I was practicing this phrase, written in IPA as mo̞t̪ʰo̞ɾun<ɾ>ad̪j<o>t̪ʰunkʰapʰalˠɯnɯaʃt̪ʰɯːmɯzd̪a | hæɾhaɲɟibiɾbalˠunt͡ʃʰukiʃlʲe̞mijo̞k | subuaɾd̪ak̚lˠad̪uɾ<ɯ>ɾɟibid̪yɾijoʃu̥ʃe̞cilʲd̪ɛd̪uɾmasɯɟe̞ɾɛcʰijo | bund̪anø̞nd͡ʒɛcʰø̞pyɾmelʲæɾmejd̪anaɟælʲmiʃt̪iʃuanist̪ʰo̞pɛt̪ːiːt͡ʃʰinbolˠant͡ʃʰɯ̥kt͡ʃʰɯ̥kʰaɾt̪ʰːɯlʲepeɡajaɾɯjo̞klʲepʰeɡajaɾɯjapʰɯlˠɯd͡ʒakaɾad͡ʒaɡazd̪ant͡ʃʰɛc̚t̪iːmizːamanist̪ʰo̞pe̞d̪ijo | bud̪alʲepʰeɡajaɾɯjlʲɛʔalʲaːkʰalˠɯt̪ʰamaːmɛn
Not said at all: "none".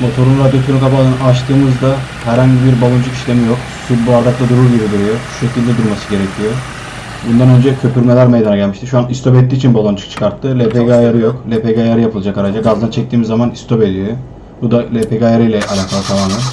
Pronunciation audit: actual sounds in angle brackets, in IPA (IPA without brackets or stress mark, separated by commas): ɾ, o, u